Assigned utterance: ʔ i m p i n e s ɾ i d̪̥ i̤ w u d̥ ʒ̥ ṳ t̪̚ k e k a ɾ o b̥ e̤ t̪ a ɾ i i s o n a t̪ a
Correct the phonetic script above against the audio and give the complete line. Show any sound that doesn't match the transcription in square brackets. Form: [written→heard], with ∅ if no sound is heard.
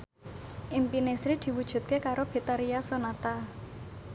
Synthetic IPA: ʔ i m p i n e s ɾ i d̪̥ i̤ w u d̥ ʒ̥ ṳ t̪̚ k e k a ɾ o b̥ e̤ t̪ a ɾ i [i→a] s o n a t̪ a